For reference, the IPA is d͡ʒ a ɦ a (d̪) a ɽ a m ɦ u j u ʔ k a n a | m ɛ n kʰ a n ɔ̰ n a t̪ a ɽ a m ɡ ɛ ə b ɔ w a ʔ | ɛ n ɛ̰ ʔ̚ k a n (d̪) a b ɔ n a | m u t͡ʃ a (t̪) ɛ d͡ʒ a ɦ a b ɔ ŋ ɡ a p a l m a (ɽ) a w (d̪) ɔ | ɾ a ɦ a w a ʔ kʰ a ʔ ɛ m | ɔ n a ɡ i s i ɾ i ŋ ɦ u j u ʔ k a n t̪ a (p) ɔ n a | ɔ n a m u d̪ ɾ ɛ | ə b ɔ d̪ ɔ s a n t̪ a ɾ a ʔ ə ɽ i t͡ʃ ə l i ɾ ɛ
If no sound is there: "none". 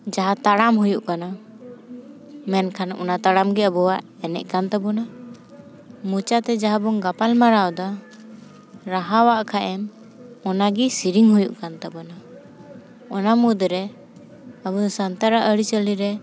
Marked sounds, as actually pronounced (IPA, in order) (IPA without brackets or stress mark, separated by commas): t̪, t̪, t̪, ɾ, d̪, b